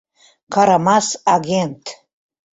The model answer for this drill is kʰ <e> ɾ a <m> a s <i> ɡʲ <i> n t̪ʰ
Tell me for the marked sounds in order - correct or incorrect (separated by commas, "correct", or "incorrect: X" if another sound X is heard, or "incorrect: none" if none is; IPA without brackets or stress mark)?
incorrect: a, correct, incorrect: a, incorrect: e